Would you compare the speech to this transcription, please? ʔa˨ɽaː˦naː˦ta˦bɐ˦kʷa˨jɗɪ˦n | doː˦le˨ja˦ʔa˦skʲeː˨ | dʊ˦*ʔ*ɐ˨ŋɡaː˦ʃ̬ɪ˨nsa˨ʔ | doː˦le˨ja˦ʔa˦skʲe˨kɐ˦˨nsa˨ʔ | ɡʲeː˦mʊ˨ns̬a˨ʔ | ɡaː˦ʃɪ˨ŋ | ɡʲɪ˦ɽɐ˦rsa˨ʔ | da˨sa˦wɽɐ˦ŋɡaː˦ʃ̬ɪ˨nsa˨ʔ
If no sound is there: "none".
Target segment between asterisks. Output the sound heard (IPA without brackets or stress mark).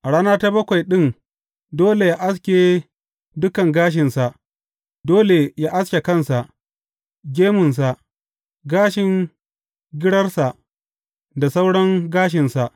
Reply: k